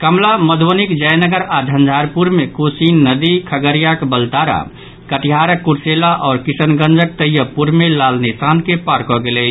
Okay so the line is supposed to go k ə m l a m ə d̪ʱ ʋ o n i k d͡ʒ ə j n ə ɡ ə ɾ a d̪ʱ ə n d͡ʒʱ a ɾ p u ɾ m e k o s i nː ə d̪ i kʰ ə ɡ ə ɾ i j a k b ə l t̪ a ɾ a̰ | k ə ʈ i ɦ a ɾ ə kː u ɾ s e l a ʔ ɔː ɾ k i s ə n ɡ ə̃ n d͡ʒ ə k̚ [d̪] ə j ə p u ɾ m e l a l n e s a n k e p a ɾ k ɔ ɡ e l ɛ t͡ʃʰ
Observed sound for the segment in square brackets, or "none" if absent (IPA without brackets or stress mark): t̪